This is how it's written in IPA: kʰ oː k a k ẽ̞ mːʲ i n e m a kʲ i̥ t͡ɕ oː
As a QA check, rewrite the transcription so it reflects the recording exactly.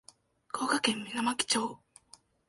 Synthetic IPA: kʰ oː k a k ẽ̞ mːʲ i n a m a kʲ i̥ t͡ɕ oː